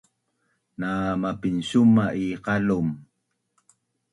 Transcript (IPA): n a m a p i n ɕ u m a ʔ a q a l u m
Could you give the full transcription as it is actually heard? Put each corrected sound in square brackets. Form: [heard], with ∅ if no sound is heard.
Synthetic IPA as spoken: n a m a p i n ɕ u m a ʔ [i] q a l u m